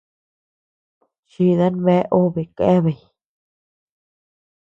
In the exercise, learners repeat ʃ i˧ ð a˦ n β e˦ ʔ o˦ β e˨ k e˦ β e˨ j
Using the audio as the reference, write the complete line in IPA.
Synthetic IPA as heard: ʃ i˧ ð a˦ n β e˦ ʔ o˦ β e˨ k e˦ β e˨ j

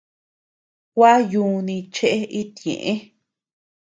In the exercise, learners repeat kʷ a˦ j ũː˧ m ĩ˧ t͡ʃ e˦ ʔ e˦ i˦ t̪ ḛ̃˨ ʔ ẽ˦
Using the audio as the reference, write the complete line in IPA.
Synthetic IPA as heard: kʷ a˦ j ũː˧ n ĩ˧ t͡ʃ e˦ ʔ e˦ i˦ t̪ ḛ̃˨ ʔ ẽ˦

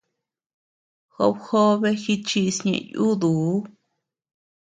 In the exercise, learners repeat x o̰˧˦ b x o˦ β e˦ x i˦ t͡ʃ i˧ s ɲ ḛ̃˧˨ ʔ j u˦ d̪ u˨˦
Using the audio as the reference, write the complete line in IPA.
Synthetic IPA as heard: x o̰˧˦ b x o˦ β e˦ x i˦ t͡ʃ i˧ s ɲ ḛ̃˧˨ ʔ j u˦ d̪ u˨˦

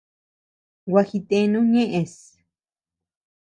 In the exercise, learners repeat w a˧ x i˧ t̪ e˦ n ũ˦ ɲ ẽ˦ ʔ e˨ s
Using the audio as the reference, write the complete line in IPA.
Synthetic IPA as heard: w a˧ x i˧ t̪ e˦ n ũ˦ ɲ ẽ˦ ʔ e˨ s

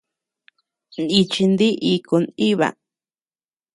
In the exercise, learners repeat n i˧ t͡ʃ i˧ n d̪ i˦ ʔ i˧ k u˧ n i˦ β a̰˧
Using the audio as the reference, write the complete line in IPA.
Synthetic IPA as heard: n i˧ t͡ʃ i˧ n d̪ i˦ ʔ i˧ k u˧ n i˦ β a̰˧

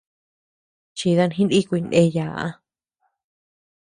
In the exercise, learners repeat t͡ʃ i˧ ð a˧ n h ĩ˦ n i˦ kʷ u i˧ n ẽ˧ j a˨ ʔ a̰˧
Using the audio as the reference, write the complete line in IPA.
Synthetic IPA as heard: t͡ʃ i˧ ð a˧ n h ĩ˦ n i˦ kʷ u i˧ n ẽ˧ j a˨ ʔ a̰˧

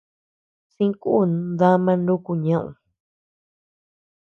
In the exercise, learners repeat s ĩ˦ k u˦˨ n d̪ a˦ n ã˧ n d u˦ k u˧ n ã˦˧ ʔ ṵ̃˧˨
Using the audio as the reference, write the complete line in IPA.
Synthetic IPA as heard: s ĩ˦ k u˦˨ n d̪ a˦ m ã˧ n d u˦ k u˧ ɲ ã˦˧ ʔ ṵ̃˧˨

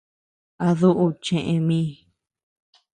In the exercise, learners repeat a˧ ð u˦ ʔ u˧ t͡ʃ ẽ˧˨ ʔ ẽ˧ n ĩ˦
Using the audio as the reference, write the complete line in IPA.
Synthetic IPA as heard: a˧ ð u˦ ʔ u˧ t͡ʃ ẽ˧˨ ʔ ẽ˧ m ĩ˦

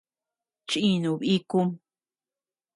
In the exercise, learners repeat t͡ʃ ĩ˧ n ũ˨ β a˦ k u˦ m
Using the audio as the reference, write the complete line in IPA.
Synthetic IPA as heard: t͡ʃ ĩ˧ n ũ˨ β i˦ k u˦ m

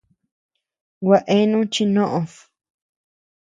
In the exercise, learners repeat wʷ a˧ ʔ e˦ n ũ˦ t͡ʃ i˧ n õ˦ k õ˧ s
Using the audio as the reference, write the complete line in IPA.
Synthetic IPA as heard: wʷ a˧ ʔ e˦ n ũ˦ t͡ʃ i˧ n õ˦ ʔ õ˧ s

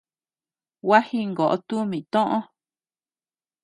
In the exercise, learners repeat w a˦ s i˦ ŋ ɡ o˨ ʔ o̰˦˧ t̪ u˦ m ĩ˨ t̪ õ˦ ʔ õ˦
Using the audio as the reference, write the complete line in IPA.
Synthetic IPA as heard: w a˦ h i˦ ŋ ɡ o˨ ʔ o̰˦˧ t̪ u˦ m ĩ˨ t̪ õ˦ ʔ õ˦

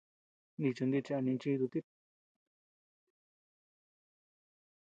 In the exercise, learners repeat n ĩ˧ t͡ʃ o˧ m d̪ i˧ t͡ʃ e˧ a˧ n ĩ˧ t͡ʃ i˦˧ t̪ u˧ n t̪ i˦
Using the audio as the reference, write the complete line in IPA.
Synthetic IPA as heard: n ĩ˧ t͡ʃ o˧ n d̪ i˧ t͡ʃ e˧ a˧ n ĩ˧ t͡ʃ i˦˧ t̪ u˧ t̪ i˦

